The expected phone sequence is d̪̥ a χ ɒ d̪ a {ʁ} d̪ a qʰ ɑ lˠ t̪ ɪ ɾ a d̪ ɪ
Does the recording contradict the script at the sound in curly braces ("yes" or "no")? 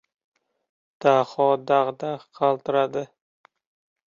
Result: no